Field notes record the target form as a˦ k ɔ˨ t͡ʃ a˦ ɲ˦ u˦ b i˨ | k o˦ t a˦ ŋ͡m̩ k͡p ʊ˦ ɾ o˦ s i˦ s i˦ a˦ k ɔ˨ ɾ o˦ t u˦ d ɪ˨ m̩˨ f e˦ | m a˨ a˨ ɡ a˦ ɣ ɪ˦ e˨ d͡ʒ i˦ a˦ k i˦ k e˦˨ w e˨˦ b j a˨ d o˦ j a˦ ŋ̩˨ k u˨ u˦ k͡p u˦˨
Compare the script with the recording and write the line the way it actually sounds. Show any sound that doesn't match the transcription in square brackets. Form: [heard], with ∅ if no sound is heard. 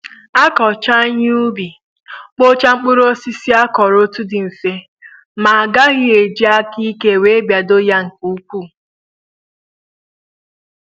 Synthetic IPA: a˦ k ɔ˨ t͡ʃ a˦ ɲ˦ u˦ b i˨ | [k͡p] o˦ [t͡ʃ] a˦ ŋ͡m̩ k͡p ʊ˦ ɾ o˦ s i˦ s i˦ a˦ k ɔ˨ ɾ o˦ t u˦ d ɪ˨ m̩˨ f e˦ | m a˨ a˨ ɡ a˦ ɣ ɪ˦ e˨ d͡ʒ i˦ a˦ k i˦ k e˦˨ w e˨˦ b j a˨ d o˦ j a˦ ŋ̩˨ k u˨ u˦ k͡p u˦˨